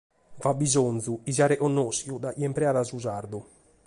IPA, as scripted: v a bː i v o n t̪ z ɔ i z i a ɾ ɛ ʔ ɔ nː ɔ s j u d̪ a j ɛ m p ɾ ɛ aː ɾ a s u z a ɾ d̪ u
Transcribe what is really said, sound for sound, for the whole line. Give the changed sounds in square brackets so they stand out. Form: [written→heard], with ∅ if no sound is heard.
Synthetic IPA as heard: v a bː i [v→z] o n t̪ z [ɔ→u] i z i a ɾ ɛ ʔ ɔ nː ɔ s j u d̪ a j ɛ m p ɾ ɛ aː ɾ a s u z a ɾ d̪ u